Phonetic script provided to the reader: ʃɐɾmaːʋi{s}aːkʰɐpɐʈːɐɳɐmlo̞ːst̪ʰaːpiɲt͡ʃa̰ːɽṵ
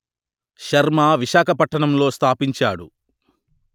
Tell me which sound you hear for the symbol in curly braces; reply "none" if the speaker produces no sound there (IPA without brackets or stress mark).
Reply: ʃ